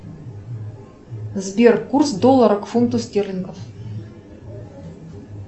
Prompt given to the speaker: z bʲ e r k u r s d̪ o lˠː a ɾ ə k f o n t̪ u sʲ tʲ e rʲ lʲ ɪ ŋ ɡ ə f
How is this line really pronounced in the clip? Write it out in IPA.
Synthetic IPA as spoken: z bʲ e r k u r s d̪ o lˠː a ɾ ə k f u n t̪ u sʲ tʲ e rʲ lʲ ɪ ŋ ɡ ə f